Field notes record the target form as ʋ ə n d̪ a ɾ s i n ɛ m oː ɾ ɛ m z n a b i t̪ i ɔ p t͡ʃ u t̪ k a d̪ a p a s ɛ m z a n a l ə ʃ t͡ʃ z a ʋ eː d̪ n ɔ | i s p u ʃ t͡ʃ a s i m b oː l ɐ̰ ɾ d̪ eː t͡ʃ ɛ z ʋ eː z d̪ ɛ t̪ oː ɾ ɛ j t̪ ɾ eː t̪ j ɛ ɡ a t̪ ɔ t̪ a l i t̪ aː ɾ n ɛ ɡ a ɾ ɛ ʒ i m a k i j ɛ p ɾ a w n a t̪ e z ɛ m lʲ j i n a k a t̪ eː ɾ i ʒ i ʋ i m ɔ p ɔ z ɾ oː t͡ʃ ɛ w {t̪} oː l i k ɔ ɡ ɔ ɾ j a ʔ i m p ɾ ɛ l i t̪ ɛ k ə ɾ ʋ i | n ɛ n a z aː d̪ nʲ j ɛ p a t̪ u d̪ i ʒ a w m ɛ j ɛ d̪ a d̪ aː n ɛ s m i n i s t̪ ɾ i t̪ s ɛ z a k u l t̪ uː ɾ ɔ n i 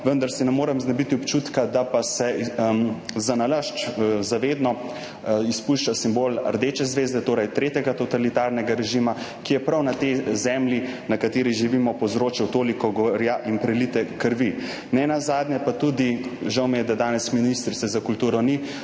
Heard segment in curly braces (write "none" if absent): t̪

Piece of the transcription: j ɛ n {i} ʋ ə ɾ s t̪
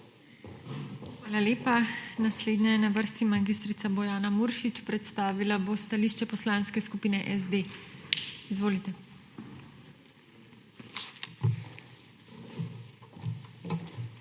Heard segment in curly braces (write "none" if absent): a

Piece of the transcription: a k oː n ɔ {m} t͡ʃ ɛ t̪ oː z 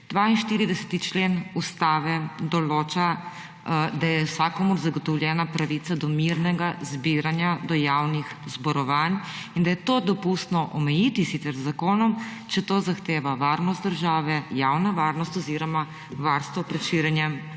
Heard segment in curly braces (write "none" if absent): m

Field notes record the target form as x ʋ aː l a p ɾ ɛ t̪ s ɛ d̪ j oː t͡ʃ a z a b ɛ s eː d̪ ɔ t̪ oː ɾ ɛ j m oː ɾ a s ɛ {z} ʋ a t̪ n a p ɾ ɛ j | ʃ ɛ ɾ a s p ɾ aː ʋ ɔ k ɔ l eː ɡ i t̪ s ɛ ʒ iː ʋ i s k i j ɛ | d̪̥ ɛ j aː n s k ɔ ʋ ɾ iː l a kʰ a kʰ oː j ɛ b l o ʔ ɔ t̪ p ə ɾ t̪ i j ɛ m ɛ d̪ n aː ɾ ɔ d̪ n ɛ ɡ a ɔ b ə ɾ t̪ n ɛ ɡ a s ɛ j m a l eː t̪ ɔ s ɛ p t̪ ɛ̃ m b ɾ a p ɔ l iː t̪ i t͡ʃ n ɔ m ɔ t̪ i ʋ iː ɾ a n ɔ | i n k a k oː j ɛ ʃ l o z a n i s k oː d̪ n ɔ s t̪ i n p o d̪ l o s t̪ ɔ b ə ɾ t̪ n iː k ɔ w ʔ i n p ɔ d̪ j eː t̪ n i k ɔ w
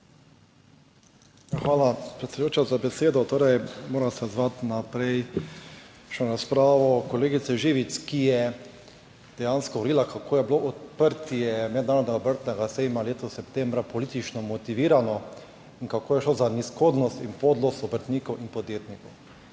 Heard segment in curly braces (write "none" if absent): z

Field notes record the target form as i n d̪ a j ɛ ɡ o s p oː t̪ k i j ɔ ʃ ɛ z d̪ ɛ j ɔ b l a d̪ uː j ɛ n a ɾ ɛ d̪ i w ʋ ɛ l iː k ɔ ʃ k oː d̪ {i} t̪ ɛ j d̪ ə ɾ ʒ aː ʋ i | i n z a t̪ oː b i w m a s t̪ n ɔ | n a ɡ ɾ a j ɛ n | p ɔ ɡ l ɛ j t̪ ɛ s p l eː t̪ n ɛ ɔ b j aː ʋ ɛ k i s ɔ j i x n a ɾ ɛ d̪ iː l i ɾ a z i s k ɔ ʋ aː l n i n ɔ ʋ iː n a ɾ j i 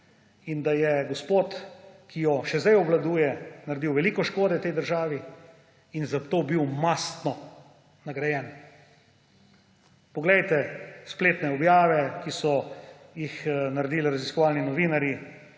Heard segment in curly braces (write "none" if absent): ɛ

